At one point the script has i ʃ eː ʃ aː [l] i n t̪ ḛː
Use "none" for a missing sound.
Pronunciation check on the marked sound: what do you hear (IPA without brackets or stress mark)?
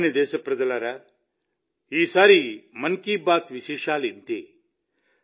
l